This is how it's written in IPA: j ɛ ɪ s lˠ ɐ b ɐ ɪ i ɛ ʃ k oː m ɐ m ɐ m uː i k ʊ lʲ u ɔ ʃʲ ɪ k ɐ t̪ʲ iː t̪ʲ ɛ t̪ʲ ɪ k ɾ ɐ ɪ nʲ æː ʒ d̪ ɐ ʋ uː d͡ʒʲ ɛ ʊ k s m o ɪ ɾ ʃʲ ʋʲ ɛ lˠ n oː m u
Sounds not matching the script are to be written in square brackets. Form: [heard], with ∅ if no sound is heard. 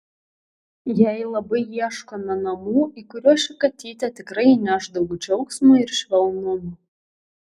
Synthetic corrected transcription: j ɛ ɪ [∅] lˠ ɐ b ɐ ɪ i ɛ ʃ k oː [n] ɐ [n] ɐ m uː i k ʊ [ɾʲ] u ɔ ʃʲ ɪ k ɐ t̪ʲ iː t̪ʲ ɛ t̪ʲ ɪ k ɾ ɐ ɪ nʲ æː ʒ d̪ ɐ ʋ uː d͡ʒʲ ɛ ʊ k s m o ɪ ɾ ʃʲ ʋʲ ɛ lˠ n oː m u